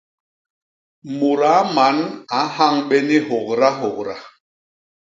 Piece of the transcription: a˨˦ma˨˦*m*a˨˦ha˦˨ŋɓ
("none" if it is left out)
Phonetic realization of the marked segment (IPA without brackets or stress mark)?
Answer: n